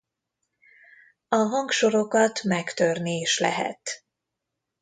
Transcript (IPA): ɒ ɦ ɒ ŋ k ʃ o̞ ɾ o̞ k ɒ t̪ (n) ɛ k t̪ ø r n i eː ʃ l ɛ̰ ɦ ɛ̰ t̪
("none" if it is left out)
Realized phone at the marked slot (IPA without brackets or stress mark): m